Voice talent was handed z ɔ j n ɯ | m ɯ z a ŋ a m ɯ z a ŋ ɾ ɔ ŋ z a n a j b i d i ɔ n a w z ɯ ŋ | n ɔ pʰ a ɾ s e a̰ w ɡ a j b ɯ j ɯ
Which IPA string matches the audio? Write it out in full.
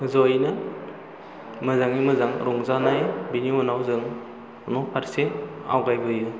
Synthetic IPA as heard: z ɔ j n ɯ | m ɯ z a ŋ i m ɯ z a ŋ ɾ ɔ ŋ z a n a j b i n i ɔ n a w z ɯ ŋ | n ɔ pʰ a ɾ s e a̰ w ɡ a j b ɯ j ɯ